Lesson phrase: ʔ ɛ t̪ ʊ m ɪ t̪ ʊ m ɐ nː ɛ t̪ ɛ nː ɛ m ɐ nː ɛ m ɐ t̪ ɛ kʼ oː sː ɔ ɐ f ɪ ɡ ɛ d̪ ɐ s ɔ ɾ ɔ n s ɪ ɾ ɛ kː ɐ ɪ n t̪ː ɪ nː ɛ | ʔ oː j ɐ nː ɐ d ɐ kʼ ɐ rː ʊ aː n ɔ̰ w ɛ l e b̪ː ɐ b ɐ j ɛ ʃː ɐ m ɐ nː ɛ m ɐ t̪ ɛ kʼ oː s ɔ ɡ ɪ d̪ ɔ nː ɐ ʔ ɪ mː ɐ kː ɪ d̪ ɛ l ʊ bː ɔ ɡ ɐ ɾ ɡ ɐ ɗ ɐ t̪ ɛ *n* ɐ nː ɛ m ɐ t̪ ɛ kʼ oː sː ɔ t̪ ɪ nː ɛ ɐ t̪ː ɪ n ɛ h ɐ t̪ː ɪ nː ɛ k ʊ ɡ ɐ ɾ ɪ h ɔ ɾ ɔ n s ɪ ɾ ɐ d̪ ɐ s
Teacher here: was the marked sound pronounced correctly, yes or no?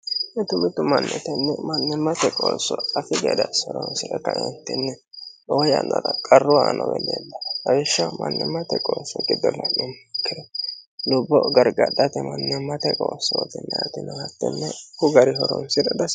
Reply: no